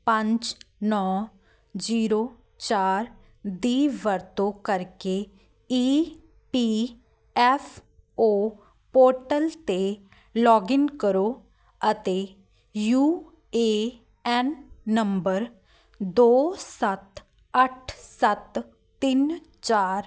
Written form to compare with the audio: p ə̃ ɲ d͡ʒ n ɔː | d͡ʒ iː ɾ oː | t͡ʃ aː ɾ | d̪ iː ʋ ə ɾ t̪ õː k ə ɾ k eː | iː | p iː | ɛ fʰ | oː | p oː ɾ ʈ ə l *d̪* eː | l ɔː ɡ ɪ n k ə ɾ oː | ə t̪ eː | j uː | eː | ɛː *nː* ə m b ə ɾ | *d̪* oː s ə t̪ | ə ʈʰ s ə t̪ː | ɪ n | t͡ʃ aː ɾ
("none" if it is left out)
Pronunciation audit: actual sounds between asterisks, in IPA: t̪, nː, d̪

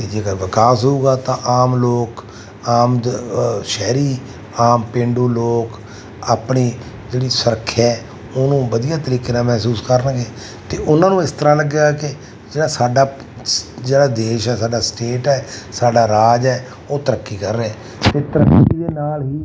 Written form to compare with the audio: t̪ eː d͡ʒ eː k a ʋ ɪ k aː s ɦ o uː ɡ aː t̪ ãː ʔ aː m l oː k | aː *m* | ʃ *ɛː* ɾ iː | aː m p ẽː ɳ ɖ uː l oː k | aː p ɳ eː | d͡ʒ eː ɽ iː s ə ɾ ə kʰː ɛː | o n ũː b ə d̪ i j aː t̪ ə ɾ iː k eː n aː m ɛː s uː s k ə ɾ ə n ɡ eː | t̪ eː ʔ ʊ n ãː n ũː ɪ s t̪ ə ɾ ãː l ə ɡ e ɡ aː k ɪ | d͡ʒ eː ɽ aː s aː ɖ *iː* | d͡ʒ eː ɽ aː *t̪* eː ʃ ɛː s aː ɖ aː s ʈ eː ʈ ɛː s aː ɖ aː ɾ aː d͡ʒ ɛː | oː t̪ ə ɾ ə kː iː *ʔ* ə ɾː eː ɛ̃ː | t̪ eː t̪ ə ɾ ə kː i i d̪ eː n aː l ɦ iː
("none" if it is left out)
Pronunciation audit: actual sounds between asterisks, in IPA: m, ɛː, aː, d̪, k

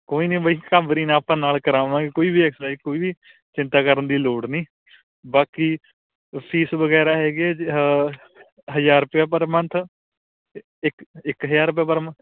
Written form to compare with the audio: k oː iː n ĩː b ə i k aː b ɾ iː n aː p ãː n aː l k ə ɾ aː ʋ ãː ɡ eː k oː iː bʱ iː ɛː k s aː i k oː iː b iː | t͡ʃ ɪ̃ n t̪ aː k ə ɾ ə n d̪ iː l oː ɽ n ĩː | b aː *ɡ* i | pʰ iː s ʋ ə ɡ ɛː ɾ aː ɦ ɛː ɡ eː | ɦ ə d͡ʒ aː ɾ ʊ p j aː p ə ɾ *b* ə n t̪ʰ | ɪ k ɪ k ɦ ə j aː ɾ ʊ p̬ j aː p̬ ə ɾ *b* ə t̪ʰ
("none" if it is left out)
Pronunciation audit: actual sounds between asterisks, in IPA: k, m, m

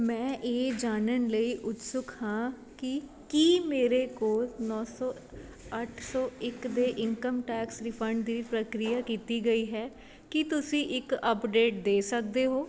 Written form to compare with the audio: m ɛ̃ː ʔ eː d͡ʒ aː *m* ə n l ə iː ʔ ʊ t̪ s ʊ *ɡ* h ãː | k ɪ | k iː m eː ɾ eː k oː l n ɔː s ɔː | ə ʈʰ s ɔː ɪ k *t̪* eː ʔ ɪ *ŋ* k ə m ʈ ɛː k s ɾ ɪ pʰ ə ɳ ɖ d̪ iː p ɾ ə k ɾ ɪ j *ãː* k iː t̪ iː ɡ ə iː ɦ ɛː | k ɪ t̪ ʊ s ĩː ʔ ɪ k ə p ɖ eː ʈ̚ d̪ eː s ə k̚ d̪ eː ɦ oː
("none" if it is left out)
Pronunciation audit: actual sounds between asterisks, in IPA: n, k, d̪, ŋ, aː

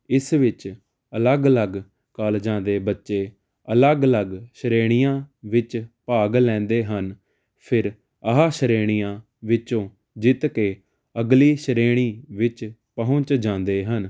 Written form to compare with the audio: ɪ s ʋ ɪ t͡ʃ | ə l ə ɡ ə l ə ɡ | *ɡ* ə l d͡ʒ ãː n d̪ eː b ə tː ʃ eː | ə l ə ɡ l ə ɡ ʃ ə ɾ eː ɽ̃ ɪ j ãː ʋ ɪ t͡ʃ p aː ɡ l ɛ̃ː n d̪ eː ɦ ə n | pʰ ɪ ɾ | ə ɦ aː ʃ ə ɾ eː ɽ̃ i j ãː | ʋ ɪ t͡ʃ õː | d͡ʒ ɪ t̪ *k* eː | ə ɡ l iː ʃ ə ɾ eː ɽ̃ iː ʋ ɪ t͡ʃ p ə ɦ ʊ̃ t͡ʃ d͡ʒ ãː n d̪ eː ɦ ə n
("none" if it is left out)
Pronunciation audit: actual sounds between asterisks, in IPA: k, k

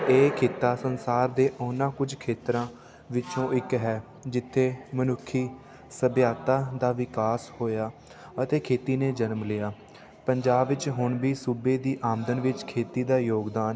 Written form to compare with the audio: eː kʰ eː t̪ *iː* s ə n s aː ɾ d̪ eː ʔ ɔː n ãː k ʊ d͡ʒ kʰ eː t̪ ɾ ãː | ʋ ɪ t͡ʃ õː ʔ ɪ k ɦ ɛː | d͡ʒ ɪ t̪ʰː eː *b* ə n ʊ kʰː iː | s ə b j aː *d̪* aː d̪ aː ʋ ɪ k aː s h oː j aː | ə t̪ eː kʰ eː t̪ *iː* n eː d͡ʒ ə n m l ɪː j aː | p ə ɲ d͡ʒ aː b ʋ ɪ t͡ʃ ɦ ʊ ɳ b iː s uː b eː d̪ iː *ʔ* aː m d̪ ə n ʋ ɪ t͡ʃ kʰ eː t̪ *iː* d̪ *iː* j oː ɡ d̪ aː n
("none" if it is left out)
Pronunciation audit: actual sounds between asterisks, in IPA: aː, m, t̪, iː, ʔ, iː, aː

